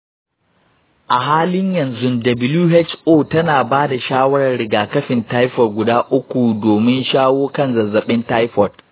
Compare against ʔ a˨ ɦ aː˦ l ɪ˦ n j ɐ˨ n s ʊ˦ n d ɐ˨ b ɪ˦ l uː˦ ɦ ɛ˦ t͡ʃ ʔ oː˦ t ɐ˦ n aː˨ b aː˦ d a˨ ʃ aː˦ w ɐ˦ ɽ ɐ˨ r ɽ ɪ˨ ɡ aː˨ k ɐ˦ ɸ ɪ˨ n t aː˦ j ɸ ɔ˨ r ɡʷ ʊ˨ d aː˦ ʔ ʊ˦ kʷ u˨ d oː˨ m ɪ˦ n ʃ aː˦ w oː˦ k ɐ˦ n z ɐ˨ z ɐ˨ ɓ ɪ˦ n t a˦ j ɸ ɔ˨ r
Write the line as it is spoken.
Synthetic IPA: ʔ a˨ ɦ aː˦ l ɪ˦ ɲ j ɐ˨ n z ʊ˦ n d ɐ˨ b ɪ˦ l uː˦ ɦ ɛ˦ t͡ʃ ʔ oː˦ t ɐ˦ n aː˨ b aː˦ d a˨ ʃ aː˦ w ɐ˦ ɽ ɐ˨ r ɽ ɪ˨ ɡ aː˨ k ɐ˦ ɸ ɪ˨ n t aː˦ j ɸ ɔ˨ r ɡʷ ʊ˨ d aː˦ ʔ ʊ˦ kʷ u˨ d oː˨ m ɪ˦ n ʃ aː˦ w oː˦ k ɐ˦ n z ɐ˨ z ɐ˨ ɓ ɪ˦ n t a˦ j ɸ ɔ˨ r

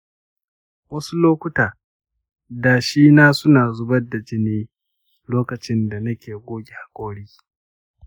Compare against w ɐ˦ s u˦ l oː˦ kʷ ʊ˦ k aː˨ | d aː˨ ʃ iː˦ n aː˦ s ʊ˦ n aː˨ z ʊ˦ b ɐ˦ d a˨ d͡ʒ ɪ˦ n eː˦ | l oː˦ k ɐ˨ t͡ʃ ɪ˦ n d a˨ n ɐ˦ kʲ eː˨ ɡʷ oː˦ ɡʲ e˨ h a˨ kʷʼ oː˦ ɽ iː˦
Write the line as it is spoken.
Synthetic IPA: w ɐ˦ s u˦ l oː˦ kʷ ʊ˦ t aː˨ | d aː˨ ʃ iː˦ n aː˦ s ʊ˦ n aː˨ z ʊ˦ b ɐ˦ d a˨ d͡ʒ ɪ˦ n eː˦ | l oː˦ k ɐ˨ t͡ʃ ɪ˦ n d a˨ n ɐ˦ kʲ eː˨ ɡʷ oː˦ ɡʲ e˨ h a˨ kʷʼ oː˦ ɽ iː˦

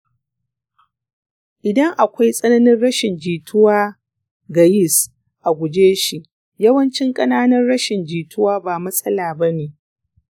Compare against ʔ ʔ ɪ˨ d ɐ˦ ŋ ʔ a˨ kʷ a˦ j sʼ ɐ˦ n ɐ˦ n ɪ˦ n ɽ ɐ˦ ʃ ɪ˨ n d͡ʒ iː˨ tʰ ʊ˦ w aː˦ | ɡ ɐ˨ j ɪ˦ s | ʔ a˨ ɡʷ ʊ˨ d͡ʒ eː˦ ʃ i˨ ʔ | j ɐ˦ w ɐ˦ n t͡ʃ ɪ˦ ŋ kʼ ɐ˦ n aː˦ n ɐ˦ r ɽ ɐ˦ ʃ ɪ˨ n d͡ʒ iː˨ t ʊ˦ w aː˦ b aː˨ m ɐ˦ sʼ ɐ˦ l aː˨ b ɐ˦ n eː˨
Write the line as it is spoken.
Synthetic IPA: ʔ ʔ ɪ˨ d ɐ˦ ŋ ʔ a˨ kʷ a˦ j sʼ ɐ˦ n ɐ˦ n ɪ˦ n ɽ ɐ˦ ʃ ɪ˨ n d͡ʒ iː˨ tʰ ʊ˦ w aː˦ | ɡ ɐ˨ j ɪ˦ s | ʔ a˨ ɡʷ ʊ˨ d͡ʒ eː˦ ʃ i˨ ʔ | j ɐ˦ w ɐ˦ n t͡ʃ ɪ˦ ŋ kʼ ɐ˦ n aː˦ n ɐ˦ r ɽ ɐ˦ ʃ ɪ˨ n d͡ʒ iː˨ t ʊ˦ w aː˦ b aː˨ m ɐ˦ sʼ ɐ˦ l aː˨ b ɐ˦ n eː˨

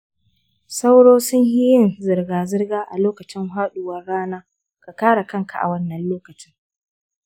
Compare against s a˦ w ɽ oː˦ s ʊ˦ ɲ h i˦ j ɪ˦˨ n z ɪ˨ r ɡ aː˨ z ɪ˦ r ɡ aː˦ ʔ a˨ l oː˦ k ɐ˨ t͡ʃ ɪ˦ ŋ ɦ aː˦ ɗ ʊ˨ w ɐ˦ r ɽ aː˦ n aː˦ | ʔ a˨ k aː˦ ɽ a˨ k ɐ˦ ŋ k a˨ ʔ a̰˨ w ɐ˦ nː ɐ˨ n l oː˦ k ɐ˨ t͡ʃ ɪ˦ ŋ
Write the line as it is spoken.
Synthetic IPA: s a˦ w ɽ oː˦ s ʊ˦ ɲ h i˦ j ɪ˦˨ n z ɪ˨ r ɡ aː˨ z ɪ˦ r ɡ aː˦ ʔ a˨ l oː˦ k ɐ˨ t͡ʃ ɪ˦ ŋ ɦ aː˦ ɗ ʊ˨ w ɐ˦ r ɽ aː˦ n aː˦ | k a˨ k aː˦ ɽ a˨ k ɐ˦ ŋ k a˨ ʔ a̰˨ w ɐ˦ nː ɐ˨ n l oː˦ k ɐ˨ t͡ʃ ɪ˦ ŋ

